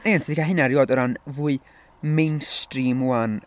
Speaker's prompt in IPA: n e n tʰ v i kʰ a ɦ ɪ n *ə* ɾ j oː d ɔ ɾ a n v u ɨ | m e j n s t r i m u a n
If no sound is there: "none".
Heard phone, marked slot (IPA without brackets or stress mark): a